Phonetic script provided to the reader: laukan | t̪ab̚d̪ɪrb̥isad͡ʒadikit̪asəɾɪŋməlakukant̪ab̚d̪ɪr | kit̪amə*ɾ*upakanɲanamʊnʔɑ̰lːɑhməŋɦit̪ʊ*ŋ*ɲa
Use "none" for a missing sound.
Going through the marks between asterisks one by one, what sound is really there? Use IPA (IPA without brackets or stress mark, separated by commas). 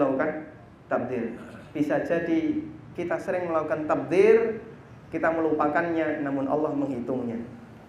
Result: l, ŋ